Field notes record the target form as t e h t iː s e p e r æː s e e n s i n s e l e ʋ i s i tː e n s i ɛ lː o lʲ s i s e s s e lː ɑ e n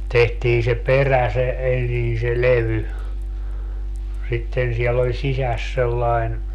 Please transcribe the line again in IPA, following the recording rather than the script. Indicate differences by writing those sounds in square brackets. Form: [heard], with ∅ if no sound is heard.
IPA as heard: t e h t iː s e p e r [æ] s e e n s i n s e l e ʋ [y] s i tː e n s i ɛ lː o lʲ s i s [æ] s s e lː ɑ e n